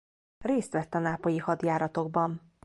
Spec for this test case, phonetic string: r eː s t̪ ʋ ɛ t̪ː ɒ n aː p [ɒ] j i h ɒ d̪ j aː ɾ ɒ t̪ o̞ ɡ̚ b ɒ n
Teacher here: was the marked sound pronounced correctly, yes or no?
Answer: no